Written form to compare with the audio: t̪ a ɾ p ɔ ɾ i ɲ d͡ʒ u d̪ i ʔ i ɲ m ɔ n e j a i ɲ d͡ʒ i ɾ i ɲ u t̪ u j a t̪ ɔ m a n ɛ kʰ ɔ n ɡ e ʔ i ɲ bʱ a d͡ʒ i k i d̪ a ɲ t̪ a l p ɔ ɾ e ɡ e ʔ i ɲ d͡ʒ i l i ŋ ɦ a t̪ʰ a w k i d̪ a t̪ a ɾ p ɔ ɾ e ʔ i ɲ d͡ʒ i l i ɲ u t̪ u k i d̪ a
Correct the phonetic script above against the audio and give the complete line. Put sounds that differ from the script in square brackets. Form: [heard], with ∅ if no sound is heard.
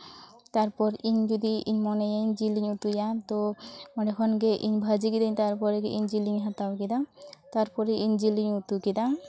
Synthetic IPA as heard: t̪ a ɾ p ɔ ɾ i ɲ d͡ʒ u d̪ i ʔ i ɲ m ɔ n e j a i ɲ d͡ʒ i [l] i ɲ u t̪ u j a t̪ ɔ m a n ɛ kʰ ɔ n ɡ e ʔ i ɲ bʱ a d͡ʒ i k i d̪ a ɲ t̪ a [ɾ] p ɔ ɾ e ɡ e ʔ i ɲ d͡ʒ i l i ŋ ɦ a [t̪] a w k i d̪ a t̪ a ɾ p ɔ ɾ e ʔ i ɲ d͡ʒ i l i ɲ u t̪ u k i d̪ a